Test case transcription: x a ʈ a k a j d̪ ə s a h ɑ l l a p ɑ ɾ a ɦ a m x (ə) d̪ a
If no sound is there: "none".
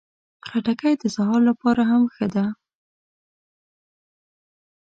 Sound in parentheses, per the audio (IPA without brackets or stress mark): ə